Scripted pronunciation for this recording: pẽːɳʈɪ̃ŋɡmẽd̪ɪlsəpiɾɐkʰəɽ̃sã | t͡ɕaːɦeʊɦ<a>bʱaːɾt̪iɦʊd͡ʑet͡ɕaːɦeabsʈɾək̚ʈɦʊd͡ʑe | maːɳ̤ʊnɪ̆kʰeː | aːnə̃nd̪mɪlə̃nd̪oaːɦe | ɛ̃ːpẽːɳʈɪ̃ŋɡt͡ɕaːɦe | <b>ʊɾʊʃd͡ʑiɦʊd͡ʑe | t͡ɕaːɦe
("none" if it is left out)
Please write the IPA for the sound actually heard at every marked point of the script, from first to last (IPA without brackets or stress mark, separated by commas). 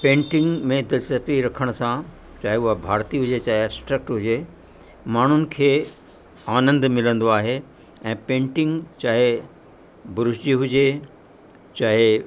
a, b